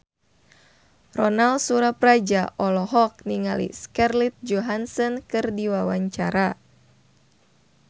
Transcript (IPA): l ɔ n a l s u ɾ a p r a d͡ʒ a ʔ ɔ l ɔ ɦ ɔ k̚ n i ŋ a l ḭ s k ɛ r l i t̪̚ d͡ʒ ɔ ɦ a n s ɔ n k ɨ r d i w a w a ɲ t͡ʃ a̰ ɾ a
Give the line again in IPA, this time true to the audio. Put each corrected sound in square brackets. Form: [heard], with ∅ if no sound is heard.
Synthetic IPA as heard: [r] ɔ n a l s u ɾ a p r a d͡ʒ a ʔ ɔ l ɔ ɦ ɔ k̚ n i ŋ a l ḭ s k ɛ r l i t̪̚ d͡ʒ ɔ ɦ a n s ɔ n k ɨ r d i w a w a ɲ t͡ʃ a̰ ɾ a